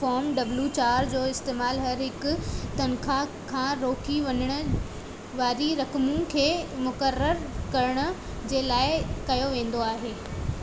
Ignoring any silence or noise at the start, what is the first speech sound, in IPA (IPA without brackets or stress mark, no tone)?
f